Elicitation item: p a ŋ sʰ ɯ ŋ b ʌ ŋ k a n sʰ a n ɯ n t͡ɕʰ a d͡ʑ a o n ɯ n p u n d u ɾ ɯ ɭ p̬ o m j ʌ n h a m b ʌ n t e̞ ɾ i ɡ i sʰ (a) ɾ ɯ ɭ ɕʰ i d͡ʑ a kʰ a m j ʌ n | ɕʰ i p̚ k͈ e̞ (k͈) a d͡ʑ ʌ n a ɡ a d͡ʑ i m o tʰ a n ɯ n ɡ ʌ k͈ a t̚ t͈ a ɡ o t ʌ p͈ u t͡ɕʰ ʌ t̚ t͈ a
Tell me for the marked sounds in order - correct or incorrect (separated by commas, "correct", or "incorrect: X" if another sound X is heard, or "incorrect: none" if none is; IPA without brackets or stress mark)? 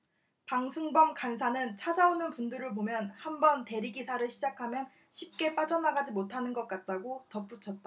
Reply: correct, incorrect: p͈